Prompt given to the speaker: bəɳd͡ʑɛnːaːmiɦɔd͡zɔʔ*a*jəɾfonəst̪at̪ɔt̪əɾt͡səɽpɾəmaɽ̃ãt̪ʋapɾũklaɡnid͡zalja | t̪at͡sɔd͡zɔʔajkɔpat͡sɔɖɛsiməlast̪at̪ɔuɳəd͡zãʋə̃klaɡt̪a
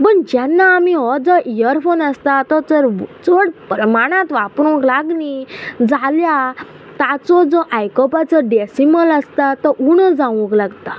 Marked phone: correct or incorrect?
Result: incorrect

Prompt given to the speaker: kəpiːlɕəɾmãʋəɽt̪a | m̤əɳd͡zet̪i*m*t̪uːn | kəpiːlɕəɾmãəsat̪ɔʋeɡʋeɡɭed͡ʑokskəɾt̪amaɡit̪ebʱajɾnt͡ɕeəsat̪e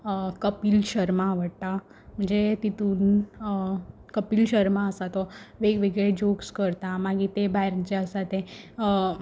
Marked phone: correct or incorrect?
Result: incorrect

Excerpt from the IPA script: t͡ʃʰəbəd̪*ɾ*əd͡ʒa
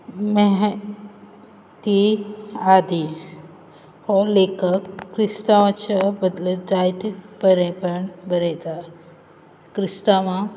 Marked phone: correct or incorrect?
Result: incorrect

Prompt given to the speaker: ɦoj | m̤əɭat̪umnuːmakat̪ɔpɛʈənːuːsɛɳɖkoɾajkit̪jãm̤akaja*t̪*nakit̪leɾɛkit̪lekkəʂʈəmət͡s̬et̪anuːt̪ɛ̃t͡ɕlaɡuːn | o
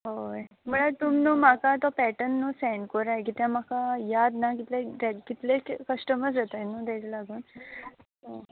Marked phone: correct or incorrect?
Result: incorrect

